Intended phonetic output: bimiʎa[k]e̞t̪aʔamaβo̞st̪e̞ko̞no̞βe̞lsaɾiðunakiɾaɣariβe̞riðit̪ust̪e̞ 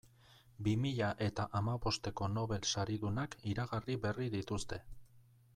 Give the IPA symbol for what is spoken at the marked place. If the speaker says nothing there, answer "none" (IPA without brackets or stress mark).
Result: ʔ